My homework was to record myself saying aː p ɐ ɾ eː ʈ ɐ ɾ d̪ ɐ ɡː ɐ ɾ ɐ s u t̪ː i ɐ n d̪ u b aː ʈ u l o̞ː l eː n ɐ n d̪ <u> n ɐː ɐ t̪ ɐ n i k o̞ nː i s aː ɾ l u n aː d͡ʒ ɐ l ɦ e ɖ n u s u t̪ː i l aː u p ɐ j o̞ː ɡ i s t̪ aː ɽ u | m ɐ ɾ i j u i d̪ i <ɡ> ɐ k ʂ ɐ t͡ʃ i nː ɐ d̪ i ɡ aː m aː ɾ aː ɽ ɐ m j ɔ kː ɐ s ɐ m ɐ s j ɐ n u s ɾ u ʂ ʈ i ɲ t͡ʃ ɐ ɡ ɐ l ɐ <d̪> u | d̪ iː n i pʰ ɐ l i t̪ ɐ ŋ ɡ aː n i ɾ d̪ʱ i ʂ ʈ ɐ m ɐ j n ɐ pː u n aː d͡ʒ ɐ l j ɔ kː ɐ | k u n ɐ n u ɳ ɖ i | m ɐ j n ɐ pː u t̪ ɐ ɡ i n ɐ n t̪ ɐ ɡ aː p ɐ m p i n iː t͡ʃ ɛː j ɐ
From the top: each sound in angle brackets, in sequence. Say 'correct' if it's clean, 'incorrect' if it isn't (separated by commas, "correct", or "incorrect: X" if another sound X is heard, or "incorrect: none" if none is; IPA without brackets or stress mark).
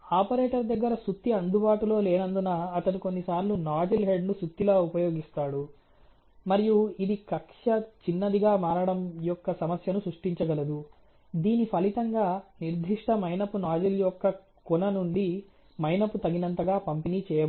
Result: correct, incorrect: k, correct